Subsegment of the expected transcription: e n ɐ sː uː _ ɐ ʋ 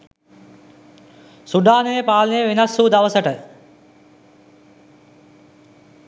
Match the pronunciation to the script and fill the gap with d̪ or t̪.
d̪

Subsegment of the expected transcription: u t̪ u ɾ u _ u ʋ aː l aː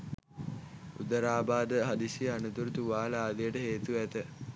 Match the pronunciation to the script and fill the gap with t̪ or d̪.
t̪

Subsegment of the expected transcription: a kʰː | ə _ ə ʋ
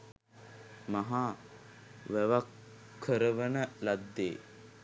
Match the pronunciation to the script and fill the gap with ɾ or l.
ɾ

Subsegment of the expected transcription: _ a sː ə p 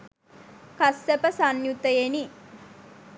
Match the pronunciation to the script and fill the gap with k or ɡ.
k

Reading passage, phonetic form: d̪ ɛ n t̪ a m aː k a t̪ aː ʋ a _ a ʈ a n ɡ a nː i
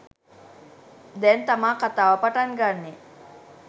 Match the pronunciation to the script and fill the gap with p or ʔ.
p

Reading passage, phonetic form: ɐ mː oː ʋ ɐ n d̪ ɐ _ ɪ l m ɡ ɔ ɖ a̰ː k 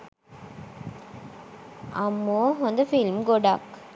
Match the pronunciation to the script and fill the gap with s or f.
f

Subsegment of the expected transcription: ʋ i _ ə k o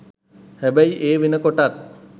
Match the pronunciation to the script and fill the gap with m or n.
n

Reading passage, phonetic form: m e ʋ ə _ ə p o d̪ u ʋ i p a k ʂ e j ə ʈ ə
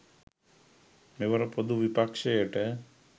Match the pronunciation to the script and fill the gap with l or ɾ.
ɾ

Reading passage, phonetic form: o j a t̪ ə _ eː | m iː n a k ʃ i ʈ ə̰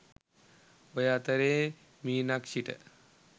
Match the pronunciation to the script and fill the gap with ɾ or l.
ɾ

